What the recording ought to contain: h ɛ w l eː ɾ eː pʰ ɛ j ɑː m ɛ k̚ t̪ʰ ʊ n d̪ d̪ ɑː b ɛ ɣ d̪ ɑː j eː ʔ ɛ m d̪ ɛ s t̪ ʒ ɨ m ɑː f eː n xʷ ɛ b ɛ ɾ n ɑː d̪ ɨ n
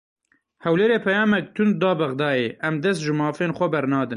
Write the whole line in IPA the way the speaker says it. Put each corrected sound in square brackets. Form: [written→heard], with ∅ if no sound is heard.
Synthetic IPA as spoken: h ɛ w l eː ɾ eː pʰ ɛ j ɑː m ɛ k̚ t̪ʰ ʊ n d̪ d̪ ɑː b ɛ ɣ d̪ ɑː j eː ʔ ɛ m d̪ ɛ s t̪ ʒ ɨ m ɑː f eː n xʷ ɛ b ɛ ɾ n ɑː d̪ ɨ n